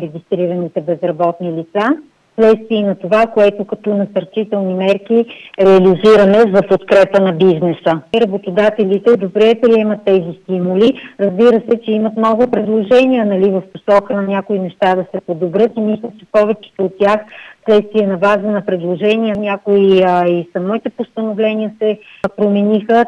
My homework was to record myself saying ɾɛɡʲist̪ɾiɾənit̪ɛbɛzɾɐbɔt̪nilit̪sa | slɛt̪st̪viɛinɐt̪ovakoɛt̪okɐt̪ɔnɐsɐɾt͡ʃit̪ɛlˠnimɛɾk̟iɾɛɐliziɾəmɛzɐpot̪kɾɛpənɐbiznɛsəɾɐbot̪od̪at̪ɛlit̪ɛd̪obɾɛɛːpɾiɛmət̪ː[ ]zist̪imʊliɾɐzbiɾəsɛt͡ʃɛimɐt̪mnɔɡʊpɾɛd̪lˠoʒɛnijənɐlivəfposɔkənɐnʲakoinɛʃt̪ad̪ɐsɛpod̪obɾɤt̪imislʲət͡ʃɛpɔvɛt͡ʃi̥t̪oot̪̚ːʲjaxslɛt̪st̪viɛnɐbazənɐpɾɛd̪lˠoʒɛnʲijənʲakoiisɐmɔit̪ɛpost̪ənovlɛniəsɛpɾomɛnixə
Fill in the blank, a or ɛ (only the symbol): ɛ